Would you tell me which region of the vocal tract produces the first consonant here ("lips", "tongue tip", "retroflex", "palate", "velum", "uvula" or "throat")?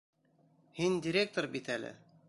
throat